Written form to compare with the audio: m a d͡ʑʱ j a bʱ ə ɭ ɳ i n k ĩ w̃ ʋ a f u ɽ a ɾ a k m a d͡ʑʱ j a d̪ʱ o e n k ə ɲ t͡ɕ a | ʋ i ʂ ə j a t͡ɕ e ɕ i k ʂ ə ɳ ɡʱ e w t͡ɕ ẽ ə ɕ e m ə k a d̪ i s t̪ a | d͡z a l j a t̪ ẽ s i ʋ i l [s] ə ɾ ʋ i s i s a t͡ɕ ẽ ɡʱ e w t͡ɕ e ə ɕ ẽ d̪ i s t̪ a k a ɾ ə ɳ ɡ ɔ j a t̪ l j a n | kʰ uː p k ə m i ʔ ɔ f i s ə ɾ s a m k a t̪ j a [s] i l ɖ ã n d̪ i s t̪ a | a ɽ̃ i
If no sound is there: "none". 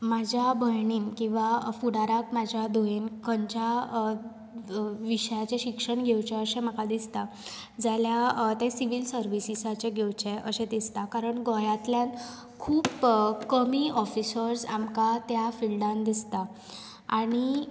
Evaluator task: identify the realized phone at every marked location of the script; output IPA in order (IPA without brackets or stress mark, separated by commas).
s, f